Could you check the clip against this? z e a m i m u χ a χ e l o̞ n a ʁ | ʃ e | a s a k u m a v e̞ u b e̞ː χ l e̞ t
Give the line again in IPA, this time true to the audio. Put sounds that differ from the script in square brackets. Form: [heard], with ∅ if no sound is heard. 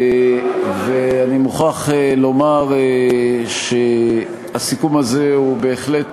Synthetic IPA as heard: [v] e a [n] i m u χ a χ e l o̞ [m] a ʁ | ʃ e | a s [i] k u m a [z] e̞ u b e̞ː χ l e̞ t